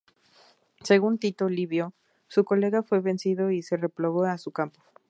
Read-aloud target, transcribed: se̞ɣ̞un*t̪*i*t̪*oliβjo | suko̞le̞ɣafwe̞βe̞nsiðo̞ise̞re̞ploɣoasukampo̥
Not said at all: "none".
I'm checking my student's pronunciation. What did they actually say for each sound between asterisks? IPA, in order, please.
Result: t̪, t̪

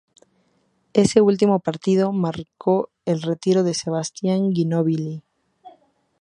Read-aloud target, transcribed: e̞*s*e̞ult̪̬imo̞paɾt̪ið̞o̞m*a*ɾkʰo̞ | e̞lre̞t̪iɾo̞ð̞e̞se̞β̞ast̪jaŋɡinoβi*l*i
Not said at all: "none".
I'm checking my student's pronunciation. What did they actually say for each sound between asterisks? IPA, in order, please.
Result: s, a, l

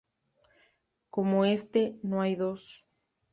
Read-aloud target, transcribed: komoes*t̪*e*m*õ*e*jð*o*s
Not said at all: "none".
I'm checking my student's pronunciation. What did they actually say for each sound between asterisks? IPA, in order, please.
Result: t̪, n, a, o

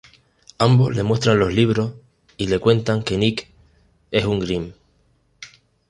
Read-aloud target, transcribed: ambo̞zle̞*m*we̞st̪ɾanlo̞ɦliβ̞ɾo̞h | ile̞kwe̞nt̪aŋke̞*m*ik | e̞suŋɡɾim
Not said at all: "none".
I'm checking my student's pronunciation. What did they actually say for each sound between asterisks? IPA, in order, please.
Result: m, n

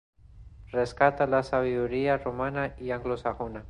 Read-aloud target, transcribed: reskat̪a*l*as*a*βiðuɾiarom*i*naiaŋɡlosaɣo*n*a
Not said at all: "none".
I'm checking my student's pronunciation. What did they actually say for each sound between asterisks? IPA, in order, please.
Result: l, a, a, n

